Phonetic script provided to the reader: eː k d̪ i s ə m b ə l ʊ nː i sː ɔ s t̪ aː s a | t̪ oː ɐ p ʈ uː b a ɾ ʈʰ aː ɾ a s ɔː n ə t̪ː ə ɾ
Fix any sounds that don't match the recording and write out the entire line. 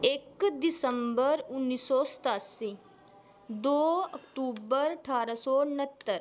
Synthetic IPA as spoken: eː k d̪ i s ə m b ə ɾ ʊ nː i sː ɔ s t̪ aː s i | d̪ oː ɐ k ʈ uː b ə ɾ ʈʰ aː ɾ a s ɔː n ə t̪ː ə ɾ